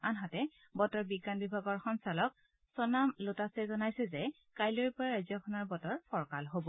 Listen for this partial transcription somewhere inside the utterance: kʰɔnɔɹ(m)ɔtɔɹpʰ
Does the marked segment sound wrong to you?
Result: yes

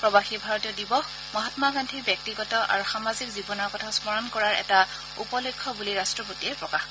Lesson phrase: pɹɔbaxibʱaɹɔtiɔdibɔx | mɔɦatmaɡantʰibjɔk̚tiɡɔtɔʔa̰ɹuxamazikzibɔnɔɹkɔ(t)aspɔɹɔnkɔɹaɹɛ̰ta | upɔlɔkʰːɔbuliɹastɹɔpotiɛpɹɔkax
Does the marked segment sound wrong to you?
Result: yes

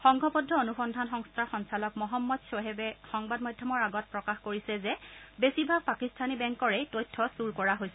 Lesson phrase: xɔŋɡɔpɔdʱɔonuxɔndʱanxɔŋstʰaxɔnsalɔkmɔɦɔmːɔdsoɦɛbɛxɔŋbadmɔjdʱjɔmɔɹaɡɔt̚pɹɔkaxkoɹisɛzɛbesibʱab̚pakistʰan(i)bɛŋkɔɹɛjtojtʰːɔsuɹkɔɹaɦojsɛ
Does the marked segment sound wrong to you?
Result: no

